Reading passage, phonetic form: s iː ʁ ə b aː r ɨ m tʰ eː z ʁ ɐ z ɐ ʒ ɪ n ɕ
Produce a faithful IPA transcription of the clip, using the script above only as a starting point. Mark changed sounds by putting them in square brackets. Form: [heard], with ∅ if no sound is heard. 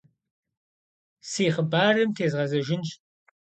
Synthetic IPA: s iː [χ] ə b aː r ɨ m tʰ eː z ʁ ɐ z ɐ ʒ ɪ n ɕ

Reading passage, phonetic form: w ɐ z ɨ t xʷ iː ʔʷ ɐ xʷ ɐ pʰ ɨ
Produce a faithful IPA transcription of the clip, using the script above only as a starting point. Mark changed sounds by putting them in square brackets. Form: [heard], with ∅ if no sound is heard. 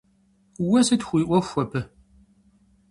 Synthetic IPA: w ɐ [s] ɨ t xʷ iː ʔʷ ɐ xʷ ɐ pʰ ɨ

